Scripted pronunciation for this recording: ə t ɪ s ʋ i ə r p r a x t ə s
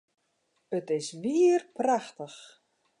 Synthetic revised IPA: ə t ɪ s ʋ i ə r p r a x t ə x